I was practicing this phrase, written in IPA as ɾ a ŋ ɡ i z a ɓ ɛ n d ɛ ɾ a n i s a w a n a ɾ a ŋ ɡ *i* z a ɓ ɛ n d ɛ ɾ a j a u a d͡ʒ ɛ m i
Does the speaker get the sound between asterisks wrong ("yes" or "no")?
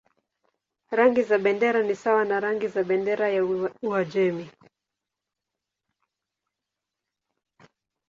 no